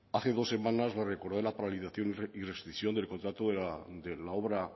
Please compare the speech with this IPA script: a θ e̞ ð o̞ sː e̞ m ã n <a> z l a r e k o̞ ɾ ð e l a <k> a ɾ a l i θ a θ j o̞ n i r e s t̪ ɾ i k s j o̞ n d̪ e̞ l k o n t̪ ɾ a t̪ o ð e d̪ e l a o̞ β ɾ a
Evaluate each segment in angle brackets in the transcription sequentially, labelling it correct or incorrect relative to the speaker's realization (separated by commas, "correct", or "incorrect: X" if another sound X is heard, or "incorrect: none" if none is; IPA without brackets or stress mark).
correct, incorrect: p